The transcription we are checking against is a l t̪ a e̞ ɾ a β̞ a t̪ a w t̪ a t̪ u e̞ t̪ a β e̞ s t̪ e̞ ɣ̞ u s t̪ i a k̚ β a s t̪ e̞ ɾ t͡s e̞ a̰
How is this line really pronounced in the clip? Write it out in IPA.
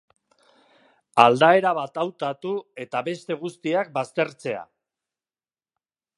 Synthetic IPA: a l d̪ a e̞ ɾ a β̞ a t̪ a w t̪ a t̪ u e̞ t̪ a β e̞ s t̪ e̞ ɣ̞ u s t̪ i a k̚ b a s t̪ e̞ ɾ t͡s e̞ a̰